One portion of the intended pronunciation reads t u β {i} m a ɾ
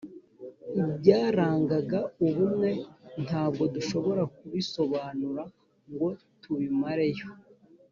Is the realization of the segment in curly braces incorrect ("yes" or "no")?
no